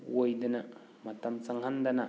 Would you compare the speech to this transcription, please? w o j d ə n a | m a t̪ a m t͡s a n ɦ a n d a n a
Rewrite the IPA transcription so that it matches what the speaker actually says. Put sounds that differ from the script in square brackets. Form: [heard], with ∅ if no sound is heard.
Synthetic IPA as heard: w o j d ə n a | m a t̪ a m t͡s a [ŋ] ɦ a n d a n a